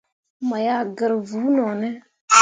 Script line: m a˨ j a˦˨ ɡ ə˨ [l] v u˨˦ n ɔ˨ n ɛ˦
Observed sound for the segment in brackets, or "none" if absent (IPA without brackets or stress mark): ɾ